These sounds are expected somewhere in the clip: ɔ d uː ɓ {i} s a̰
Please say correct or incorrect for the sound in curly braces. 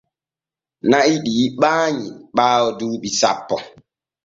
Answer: correct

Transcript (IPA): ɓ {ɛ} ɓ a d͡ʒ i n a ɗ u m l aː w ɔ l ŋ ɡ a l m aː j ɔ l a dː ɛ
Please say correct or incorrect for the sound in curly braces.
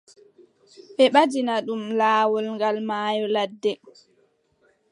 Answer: correct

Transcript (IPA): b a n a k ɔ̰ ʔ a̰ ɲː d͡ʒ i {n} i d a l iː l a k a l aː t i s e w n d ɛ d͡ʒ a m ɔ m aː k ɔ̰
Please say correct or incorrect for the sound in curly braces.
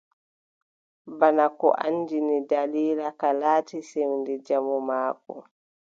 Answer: correct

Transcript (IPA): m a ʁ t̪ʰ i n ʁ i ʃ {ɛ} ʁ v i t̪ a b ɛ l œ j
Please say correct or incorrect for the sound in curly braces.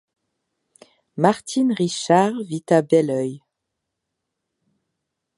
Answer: incorrect: a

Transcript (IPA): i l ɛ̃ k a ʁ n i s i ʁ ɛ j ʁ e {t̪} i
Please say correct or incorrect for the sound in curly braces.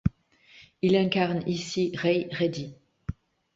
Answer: incorrect: d̪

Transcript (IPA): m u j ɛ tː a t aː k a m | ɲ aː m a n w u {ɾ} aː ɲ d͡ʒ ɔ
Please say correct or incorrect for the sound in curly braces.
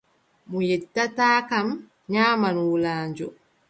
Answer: incorrect: l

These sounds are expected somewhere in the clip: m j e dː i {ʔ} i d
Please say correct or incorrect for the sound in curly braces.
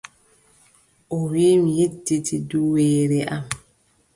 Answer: incorrect: t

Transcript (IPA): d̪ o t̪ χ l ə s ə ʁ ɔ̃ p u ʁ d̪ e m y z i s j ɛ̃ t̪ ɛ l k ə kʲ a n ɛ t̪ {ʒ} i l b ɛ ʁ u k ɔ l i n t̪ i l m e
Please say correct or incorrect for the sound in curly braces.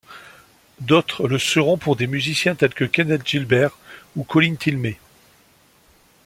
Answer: correct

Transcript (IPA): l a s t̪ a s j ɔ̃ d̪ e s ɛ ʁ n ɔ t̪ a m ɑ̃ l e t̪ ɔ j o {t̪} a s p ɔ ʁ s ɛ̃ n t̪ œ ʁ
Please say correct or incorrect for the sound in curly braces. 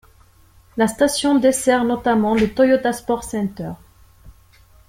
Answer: correct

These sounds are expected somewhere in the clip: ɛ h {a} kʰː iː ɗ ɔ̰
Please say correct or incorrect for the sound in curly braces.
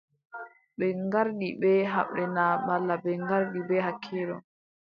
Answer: correct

